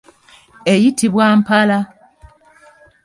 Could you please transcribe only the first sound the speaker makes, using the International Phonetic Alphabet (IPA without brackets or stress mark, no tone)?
e